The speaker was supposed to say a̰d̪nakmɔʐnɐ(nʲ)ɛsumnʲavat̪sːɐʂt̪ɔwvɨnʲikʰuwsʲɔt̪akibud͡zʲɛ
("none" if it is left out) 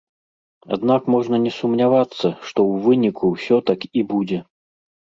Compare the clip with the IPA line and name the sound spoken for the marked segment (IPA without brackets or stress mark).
nʲ